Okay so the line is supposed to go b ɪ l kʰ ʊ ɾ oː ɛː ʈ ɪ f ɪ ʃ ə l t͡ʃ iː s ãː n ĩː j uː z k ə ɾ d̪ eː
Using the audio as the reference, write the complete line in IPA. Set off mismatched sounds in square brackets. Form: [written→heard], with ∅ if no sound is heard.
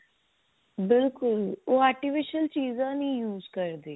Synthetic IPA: b ɪ l [kʰ→k] ʊ [ɾ→l] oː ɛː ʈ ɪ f ɪ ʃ ə l t͡ʃ iː [s→z] ãː n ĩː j uː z k ə ɾ d̪ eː